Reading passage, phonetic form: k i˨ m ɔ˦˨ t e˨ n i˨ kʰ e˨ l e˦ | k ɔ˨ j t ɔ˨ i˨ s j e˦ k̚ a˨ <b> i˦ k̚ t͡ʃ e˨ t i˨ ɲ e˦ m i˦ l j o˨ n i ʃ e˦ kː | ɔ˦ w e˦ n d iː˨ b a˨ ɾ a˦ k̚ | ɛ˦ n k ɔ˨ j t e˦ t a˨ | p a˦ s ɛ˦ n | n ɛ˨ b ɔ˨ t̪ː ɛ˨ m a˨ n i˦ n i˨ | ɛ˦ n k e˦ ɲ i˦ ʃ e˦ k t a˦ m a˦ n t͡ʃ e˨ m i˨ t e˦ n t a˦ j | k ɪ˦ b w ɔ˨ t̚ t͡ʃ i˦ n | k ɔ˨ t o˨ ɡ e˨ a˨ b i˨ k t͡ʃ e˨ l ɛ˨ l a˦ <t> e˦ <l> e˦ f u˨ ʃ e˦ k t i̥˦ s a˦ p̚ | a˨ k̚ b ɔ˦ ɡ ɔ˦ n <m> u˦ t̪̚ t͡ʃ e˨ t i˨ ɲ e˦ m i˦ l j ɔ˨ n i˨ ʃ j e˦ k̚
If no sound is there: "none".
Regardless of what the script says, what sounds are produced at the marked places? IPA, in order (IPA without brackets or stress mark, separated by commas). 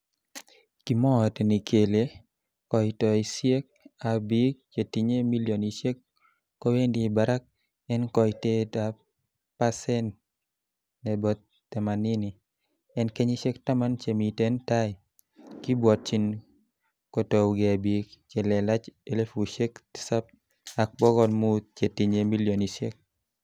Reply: b, t͡ʃ, l, m